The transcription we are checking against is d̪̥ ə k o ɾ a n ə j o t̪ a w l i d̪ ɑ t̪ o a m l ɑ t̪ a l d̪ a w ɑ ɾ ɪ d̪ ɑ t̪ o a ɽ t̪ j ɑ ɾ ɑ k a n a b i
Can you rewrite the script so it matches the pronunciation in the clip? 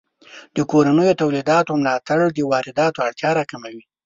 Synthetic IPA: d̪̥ ə k o ɾ a n ə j o t̪ a w l i d̪ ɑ t̪ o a m l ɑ t̪ a ɽ d̪ ə w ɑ ɾ ɪ d̪ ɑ t̪ o a ɽ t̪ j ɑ ɾ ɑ k a m a w i